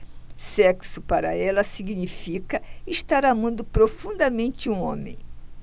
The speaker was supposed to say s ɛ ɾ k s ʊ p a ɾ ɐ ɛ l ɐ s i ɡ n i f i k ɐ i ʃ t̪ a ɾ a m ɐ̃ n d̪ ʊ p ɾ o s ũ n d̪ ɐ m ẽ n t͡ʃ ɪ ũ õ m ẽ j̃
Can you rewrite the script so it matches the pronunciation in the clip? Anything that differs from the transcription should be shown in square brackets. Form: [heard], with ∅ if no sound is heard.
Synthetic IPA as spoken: s ɛ [∅] k s ʊ p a ɾ ɐ ɛ l ɐ s i ɡ n i f i k ɐ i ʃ t̪ a ɾ a m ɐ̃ n d̪ ʊ p ɾ o [f] ũ n d̪ ɐ m ẽ n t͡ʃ ɪ ũ õ m ẽ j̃